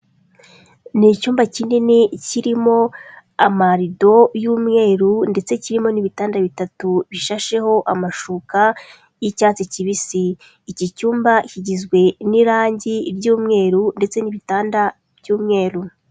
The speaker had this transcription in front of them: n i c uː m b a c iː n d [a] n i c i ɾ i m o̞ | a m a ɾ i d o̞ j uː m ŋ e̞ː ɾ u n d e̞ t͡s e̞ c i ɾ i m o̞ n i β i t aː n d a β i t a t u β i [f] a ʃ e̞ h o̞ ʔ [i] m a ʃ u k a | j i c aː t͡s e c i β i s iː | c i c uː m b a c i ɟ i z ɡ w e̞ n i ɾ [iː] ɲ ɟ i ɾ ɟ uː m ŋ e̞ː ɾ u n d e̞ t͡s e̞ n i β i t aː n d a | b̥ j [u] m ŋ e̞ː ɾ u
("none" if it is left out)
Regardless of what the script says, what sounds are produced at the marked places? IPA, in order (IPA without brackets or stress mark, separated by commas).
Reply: i, ʃ, a, aː, uː